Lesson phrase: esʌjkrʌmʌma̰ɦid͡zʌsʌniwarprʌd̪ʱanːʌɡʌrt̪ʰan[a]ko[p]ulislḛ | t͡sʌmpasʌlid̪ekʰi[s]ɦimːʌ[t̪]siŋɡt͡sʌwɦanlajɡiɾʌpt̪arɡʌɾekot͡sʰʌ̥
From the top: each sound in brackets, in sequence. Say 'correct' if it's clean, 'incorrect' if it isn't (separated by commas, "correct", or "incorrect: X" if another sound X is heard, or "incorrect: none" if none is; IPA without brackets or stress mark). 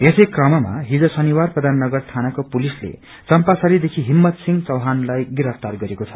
correct, correct, incorrect: none, correct